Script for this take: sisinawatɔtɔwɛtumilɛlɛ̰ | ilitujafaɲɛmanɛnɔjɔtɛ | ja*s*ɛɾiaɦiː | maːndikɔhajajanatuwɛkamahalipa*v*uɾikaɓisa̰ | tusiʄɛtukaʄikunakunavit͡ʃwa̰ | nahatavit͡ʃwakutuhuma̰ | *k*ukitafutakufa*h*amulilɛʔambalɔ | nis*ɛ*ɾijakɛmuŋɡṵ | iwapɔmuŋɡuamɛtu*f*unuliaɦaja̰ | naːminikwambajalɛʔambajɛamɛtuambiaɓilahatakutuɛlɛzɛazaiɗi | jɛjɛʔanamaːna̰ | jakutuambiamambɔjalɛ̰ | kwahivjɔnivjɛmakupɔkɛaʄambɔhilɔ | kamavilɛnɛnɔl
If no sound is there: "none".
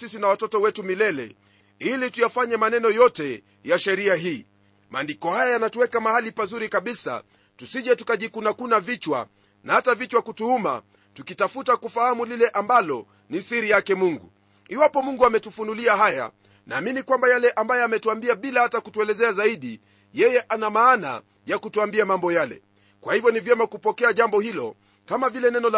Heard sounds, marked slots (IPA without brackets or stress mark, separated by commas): ʃ, z, t, h, i, f